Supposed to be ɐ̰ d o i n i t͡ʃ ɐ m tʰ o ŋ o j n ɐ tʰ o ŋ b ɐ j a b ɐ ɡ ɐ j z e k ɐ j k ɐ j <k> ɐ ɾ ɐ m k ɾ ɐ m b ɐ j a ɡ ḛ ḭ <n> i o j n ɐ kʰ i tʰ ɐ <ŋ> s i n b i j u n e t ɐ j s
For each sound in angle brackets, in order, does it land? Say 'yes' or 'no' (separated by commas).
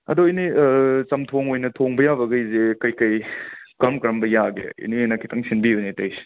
yes, yes, yes